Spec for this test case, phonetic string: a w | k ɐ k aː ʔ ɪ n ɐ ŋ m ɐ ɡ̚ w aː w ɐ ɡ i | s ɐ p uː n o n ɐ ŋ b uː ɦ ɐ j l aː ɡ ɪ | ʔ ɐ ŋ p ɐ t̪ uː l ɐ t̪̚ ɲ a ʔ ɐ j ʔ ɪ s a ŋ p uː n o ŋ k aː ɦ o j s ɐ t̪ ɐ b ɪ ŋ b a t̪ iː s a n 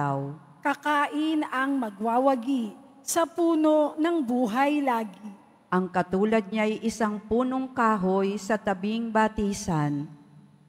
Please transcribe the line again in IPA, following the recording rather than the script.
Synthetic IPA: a w | k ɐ k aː ʔ ɪ n ɐ ŋ m ɐ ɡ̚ w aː w ɐ ɡ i | s ɐ p uː n o n ɐ ŋ b uː ɦ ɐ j l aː ɡ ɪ | ʔ ɐ ŋ k ɐ t̪ uː l ɐ d̪̚ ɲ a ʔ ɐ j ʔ ɪ s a ŋ p uː n o ŋ k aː ɦ o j s ɐ t̪ ɐ b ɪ ŋ b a t̪ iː s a n